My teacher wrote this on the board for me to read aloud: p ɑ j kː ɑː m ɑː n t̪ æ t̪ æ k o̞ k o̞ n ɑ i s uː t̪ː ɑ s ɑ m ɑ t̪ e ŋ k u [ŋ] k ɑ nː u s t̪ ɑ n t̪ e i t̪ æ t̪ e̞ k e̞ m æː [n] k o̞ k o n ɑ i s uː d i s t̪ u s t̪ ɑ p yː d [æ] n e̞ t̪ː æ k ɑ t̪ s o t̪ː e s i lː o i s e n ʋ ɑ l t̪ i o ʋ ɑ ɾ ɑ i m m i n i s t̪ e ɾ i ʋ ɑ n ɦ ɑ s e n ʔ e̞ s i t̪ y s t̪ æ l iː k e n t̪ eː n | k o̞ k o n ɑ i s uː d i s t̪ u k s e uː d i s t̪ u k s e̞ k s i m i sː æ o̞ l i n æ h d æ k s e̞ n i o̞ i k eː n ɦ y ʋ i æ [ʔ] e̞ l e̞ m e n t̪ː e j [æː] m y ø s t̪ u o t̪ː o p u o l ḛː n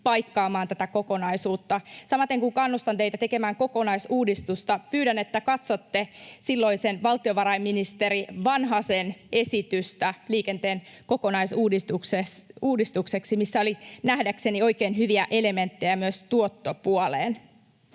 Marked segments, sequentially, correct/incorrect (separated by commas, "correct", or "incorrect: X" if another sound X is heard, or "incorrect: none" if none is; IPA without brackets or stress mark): correct, incorrect: ŋ, correct, correct, incorrect: æ